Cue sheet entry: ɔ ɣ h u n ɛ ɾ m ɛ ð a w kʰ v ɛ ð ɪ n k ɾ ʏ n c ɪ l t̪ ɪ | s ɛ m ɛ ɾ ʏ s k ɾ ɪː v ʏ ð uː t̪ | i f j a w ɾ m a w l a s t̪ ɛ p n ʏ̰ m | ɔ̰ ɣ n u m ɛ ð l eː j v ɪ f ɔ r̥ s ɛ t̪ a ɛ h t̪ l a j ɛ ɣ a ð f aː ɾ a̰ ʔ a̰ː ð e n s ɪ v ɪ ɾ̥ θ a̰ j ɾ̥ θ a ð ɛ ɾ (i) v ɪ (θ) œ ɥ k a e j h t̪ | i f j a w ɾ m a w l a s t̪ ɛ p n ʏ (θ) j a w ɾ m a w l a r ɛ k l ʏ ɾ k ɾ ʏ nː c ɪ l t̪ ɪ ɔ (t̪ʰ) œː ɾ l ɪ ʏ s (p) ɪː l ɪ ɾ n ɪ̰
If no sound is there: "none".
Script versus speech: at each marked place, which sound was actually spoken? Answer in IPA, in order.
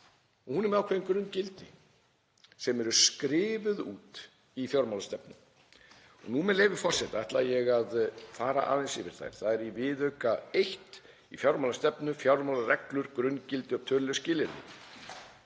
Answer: i, ð, f, t̪ʰ, c

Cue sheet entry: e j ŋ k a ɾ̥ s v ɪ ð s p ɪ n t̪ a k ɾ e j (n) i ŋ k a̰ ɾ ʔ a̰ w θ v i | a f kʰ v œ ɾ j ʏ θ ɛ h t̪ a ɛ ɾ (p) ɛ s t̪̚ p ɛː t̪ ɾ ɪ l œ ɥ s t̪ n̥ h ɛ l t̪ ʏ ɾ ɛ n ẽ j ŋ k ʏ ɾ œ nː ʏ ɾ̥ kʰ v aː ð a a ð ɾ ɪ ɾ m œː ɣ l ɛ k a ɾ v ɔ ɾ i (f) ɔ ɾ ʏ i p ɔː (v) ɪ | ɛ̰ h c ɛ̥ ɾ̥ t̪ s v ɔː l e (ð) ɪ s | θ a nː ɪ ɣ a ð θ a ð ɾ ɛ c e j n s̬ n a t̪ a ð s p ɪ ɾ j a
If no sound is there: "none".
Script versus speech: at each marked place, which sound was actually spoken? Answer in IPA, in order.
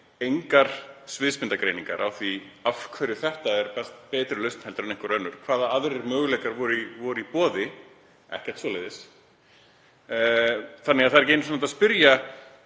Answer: n, p, v, ð, ð

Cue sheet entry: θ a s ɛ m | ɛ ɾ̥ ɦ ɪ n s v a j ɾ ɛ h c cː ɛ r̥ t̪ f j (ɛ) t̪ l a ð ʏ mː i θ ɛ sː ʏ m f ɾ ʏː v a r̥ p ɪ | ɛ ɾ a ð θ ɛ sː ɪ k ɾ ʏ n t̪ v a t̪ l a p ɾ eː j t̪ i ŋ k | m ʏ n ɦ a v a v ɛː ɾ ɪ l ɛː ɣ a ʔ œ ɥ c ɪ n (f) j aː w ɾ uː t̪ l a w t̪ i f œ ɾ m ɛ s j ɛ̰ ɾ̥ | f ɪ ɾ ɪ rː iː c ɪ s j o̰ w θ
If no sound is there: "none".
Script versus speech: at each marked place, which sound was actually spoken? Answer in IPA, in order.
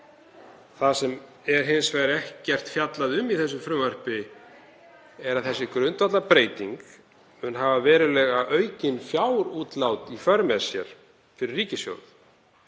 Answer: a, f

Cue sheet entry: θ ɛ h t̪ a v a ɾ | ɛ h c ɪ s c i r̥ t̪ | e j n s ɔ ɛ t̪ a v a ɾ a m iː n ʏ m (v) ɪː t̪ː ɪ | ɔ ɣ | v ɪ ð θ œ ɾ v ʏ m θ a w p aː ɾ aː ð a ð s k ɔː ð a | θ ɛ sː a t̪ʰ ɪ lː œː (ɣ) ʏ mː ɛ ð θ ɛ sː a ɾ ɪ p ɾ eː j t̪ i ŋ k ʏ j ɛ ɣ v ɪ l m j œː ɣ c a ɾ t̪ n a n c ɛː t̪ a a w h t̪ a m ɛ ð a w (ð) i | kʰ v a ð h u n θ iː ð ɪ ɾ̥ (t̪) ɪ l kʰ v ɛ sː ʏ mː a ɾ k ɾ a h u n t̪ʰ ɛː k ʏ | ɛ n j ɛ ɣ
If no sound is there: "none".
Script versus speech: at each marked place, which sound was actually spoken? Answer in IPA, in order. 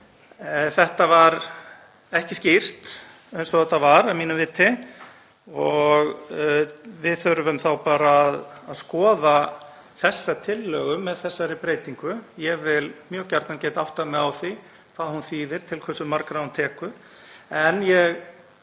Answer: v, ɣ, θ, t̪ʰ

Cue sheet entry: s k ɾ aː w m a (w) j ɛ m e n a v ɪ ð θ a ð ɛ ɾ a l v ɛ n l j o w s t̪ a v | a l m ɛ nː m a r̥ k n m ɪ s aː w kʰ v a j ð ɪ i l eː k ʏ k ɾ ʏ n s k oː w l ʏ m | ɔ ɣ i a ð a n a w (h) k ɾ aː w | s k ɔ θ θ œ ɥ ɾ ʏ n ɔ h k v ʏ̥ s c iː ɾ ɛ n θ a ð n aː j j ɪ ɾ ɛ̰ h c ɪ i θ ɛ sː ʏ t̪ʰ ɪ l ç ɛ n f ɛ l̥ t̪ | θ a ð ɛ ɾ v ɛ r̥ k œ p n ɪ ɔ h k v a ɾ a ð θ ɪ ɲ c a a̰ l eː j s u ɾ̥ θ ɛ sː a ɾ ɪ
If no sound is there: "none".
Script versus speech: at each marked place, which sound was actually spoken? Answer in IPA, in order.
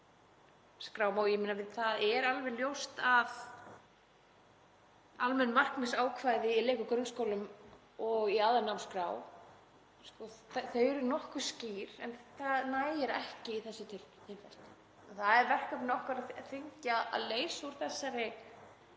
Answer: w, s

